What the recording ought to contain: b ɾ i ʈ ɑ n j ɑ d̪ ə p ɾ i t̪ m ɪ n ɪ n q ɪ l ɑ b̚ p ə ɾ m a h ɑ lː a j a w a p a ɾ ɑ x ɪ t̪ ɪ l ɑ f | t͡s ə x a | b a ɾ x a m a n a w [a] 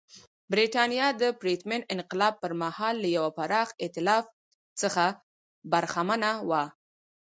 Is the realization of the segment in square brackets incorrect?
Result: no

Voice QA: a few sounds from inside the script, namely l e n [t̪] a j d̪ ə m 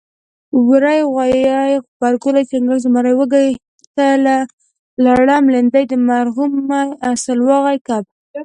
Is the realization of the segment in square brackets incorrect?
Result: yes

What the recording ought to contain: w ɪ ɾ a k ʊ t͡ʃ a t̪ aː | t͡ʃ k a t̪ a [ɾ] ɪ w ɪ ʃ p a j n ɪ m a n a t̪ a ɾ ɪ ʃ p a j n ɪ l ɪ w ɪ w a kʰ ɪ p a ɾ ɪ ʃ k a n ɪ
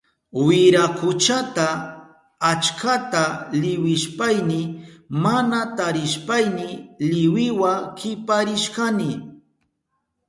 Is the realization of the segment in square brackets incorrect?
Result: yes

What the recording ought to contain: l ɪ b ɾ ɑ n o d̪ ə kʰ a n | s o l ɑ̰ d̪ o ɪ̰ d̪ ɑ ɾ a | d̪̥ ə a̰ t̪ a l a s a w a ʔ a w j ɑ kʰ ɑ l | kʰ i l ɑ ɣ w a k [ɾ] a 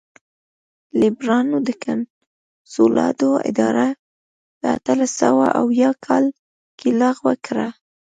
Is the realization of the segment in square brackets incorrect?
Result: no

